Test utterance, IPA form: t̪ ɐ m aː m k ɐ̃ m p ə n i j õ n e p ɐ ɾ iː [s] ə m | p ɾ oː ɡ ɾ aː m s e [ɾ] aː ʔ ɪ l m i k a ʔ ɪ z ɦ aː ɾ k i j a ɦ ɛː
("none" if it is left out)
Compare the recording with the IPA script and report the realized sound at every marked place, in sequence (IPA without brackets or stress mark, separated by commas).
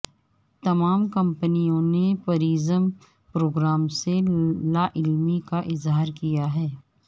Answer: z, l